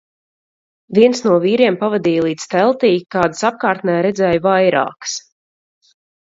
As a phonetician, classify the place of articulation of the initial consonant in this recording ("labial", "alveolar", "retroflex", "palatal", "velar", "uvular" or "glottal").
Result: labial